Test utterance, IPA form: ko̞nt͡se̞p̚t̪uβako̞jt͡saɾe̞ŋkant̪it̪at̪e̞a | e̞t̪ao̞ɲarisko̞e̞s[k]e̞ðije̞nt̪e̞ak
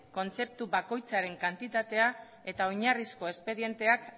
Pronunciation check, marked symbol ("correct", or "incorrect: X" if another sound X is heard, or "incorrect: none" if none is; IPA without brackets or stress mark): incorrect: p